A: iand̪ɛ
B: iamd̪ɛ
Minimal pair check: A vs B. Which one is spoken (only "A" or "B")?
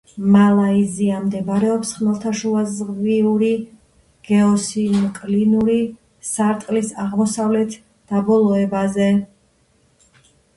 B